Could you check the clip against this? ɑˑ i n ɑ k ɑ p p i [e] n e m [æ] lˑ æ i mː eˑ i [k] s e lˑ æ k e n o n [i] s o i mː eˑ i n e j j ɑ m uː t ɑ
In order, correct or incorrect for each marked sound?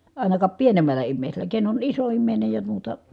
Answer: correct, correct, incorrect, correct

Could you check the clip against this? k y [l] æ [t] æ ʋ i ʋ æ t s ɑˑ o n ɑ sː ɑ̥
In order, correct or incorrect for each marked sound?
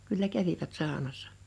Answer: incorrect, incorrect

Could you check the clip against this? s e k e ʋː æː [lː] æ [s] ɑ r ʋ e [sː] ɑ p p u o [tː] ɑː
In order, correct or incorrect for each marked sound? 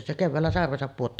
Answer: correct, correct, incorrect, correct

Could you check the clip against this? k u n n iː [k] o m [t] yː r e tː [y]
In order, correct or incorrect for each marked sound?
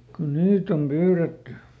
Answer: incorrect, incorrect, correct

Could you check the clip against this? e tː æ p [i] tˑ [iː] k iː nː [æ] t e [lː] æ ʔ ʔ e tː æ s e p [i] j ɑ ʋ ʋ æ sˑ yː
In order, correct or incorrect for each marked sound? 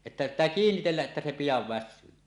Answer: correct, incorrect, incorrect, correct, correct

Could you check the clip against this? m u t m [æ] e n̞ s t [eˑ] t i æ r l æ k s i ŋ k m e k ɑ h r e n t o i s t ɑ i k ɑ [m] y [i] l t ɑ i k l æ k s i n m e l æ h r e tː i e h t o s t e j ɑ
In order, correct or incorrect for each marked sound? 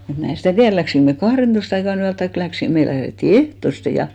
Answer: correct, incorrect, incorrect, incorrect

